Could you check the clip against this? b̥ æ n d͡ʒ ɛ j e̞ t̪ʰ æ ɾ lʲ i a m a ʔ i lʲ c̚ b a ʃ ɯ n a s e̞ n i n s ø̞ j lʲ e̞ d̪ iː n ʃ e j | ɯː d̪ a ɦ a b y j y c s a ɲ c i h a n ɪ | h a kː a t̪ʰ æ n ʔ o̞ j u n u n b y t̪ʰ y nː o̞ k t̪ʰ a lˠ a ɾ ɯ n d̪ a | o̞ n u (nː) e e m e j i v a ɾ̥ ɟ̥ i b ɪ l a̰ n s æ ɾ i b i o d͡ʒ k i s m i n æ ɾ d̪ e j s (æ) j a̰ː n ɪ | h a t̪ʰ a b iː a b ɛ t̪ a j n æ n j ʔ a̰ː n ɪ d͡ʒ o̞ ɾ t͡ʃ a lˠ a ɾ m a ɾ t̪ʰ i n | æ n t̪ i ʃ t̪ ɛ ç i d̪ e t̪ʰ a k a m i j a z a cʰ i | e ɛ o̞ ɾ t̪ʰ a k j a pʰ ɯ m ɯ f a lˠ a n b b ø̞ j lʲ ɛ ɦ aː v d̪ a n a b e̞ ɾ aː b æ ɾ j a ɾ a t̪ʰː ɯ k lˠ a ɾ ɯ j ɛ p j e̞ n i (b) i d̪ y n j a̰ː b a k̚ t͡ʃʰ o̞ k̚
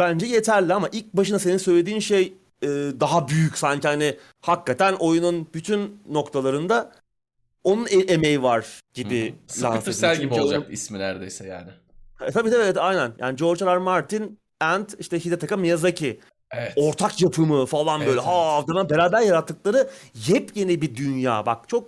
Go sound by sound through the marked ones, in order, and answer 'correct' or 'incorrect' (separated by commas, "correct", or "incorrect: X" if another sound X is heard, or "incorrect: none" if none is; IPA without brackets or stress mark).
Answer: incorrect: n, incorrect: ɛ, correct